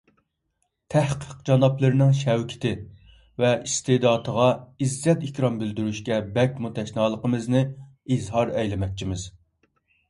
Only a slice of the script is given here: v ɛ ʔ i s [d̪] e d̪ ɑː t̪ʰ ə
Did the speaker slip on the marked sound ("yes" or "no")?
yes